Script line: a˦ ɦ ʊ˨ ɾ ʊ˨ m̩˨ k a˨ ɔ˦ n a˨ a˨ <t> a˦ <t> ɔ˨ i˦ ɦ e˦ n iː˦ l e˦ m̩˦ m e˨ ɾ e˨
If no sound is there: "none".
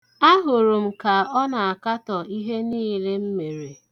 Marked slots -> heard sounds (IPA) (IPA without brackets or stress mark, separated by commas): k, t